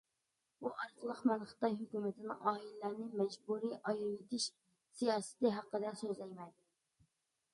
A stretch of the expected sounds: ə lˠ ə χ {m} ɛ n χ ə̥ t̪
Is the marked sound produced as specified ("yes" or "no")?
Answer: yes